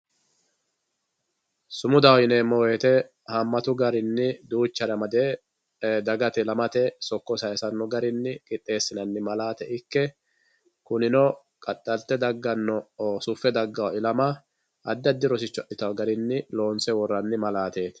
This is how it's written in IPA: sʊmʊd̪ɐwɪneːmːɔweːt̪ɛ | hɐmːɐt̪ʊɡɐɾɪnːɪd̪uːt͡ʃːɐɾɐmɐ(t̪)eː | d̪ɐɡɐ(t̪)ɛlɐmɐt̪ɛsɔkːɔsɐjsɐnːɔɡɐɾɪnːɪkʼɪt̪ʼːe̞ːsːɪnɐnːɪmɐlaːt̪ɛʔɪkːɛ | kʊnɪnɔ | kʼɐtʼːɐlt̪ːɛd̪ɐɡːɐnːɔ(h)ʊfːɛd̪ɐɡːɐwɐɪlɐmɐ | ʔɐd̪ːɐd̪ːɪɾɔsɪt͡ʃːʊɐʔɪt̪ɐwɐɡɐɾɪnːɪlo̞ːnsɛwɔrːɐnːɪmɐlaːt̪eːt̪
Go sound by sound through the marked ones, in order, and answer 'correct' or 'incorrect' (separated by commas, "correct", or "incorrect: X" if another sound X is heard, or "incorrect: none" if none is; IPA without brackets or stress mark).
incorrect: d̪, correct, incorrect: s